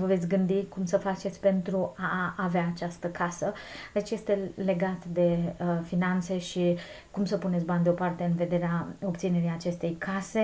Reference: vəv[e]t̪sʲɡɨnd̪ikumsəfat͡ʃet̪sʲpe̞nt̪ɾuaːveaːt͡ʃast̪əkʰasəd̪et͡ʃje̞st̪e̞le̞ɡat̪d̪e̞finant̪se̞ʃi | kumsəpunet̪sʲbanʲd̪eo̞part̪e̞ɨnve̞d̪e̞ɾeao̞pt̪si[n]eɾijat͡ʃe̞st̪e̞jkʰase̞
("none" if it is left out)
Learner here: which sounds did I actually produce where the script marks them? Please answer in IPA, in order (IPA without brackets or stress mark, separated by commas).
e, n